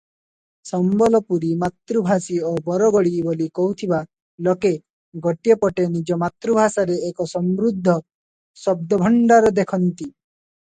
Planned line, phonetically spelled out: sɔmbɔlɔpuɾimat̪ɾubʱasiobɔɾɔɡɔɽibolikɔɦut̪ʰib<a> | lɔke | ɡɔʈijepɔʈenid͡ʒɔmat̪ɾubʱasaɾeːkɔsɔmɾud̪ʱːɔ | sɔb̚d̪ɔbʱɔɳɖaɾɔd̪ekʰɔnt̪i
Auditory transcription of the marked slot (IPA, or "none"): a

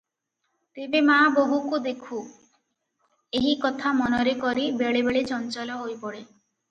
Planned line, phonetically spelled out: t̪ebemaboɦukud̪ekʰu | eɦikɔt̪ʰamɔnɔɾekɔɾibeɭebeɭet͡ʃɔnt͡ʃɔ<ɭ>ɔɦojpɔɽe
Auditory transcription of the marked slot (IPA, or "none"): l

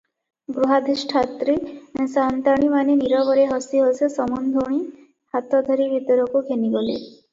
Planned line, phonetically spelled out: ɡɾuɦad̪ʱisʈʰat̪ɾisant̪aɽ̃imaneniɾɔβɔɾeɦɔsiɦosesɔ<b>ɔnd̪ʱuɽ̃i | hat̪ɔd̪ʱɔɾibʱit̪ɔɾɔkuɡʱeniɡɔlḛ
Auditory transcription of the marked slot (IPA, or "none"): m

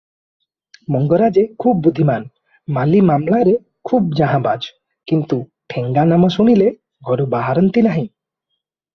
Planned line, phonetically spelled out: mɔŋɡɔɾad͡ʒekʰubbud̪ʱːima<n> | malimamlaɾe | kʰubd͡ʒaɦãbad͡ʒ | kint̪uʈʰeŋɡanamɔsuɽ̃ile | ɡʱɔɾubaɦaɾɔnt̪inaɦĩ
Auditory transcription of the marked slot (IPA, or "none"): n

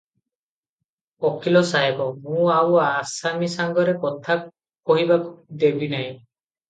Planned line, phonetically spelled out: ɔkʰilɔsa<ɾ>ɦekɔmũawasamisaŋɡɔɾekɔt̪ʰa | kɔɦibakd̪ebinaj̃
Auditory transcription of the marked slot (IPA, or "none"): none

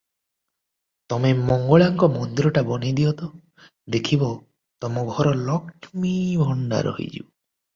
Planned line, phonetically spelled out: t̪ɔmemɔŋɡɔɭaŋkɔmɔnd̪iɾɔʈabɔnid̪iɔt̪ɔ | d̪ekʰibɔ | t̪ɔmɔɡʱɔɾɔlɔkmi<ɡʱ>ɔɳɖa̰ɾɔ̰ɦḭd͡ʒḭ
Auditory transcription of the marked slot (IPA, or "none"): bʱ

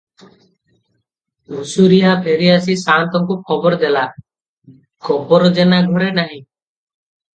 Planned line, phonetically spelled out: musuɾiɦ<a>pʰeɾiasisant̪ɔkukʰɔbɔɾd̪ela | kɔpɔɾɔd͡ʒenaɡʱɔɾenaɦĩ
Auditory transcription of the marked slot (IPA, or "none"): a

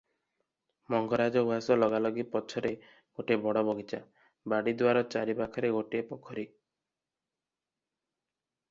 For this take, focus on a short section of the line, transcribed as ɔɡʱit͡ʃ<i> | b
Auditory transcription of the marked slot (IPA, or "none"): a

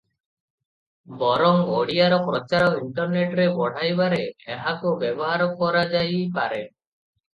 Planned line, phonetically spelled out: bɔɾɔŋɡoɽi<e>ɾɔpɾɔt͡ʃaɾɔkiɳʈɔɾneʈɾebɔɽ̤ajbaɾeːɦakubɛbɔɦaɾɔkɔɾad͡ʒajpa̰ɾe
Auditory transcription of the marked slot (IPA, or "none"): a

